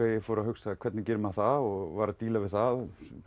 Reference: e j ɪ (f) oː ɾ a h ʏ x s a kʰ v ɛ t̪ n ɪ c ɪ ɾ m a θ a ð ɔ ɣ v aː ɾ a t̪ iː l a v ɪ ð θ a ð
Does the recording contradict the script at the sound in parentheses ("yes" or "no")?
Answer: no